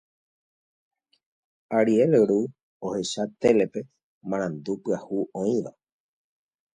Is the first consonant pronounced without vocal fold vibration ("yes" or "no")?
no